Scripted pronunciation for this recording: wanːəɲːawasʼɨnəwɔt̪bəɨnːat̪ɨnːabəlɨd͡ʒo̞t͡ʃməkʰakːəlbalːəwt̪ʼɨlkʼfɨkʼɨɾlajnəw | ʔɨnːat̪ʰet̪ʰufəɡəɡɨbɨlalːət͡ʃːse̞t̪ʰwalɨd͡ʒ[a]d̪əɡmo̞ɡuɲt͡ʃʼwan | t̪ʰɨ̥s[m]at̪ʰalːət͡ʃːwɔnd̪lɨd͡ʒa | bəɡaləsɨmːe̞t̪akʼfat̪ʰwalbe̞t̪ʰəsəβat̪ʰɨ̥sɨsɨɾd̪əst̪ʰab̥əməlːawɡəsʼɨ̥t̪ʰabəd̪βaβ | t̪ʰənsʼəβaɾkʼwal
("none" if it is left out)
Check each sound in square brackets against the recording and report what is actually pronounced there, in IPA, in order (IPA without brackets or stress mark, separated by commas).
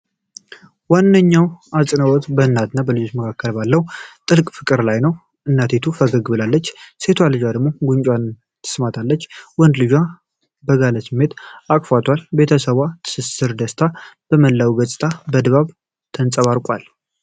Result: a, m